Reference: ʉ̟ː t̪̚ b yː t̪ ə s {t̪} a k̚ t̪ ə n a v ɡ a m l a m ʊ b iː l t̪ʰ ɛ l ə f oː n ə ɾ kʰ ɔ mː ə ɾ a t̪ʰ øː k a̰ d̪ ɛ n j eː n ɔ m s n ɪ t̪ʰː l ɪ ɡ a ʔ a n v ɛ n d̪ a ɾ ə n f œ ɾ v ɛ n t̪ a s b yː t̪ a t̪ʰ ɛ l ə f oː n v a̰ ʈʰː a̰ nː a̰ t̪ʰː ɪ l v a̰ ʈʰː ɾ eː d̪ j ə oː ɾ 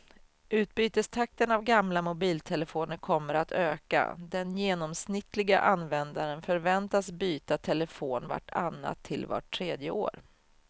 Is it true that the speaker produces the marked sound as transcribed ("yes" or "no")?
no